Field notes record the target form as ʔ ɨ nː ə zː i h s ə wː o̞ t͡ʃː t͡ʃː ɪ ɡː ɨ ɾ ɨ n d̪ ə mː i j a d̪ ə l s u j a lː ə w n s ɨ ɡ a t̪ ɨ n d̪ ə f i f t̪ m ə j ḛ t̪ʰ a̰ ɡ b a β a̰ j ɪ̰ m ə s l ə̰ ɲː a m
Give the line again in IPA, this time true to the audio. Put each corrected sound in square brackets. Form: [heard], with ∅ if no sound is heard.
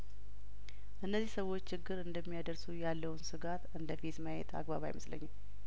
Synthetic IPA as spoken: ʔ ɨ nː ə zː i h s ə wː o̞ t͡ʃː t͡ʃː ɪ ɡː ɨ ɾ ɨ n d̪ ə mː i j a d̪ ə [ɾ] s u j a lː ə w n s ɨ ɡ a t̪ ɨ n d̪ ə f i [∅] t̪ m ə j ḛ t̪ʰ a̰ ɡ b a β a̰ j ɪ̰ m ə s l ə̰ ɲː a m

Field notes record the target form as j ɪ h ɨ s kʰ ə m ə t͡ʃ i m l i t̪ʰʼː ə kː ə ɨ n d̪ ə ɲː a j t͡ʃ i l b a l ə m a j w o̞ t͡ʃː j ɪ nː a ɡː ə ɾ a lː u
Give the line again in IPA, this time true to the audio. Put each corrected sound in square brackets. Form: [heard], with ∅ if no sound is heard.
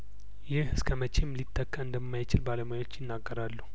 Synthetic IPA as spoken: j ɪ h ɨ s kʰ ə m ə t͡ʃ [e] m l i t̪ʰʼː ə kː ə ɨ n d̪ ə [mː] a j t͡ʃ [ɪ] l b a l ə m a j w o̞ t͡ʃː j ɪ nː a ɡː ə ɾ a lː u

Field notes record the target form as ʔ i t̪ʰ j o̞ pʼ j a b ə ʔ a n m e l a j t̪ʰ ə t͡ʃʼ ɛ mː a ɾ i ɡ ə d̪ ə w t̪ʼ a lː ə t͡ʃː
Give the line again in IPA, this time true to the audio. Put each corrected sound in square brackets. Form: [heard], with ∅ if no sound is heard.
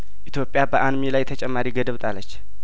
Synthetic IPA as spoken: ʔ i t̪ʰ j o̞ pʼ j a b ə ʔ a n m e l a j t̪ʰ ə t͡ʃʼ ɛ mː a ɾ i ɡ ə d̪ ə [β] t̪ʼ a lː ə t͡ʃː

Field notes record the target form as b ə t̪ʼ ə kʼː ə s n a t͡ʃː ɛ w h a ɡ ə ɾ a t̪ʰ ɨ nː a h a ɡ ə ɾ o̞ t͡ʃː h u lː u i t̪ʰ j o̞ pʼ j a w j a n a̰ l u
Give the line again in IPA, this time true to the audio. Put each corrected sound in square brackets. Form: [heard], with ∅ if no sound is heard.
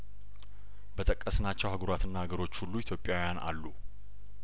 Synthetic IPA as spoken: b ə t̪ʼ ə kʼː ə s n a t͡ʃː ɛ w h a ɡ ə ɾ a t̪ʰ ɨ nː a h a ɡ ə ɾ o̞ t͡ʃː h u lː u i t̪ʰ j o̞ pʼ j a w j a n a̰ [lː] u

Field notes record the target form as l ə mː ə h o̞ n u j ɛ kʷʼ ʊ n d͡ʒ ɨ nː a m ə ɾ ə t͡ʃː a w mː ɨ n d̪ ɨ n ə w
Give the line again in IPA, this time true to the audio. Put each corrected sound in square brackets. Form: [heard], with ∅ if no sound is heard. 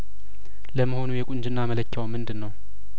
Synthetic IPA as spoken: l ə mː ə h o̞ n u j ɛ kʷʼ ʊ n d͡ʒ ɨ nː a m ə [l] ə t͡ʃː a w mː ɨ n d̪ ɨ [nː] ə w

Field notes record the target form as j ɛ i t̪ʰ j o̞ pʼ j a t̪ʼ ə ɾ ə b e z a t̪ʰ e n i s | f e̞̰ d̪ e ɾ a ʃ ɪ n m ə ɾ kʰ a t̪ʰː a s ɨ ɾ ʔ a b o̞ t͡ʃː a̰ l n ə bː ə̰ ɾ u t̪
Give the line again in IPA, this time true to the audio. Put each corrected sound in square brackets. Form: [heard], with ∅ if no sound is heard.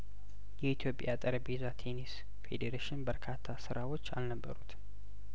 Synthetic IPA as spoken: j ɛ i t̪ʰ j o̞ pʼ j a t̪ʼ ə ɾ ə b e z a t̪ʰ e n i s | f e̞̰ d̪ e ɾ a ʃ ɪ n [b] ə ɾ kʰ a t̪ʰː a s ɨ ɾ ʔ a [w] o̞ t͡ʃː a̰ l n ə bː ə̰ ɾ u t̪

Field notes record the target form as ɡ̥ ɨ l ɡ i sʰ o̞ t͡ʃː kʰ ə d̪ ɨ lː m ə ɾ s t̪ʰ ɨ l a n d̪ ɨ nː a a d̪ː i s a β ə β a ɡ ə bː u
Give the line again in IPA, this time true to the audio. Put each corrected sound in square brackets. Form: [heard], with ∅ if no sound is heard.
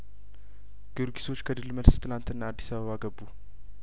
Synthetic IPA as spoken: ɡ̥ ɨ [ɾ] ɡ i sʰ o̞ t͡ʃː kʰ ə d̪ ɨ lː m ə [l] s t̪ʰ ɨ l a n [t̪] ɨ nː a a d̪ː i s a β ə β a ɡ ə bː u

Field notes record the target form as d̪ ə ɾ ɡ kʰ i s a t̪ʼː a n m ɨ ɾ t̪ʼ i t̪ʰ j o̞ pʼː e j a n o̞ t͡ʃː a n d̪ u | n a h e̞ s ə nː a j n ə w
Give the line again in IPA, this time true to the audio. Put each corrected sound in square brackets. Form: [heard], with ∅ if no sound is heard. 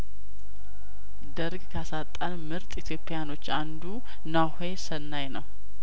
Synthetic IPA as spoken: d̪ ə ɾ ɡ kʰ [a] s a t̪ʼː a n m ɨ ɾ t̪ʼ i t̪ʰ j o̞ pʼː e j a n o̞ t͡ʃː a n d̪ u | n a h e̞ s ə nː a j n ə w

